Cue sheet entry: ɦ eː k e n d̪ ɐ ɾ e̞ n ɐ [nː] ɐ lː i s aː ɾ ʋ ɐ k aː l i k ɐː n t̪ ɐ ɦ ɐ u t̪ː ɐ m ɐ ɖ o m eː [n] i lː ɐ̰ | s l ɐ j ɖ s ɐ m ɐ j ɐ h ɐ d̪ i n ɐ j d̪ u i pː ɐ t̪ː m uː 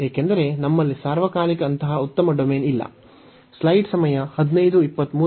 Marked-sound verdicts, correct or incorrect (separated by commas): incorrect, correct